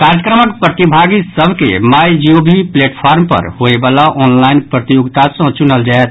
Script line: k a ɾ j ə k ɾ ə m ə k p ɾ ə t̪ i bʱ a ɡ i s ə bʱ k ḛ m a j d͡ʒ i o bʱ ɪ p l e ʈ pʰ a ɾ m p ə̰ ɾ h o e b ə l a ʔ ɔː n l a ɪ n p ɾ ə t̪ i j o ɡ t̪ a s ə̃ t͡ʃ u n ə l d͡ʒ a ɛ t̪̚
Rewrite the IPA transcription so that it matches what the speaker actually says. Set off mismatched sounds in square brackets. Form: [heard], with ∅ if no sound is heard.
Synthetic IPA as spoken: k a ɾ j ə k ɾ ə m ə k p ɾ ə t̪ i bʱ a ɡ i s ə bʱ k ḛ m a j d͡ʒ i o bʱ [i] p l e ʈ pʰ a ɾ m p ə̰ ɾ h o e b [a] l a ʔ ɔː n l a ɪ n p ɾ ə t̪ i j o ɡ t̪ a s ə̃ t͡ʃ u n ə l d͡ʒ a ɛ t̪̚